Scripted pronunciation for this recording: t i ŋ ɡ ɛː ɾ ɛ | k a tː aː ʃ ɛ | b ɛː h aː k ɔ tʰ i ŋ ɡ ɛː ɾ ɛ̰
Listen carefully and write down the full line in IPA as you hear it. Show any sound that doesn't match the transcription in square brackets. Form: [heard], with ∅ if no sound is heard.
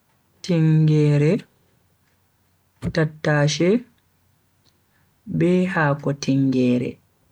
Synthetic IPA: t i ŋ ɡ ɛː ɾ ɛ | [t] a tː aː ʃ ɛ | b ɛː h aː k ɔ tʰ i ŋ ɡ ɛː ɾ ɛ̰